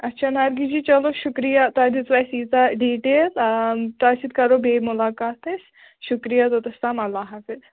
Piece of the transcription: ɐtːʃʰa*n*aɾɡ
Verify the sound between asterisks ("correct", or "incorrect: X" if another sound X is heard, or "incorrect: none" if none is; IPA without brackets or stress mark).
correct